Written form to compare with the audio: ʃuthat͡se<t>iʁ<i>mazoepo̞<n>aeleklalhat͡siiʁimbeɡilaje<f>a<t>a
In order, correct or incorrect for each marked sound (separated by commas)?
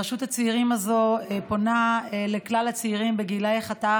incorrect, correct, correct, incorrect, correct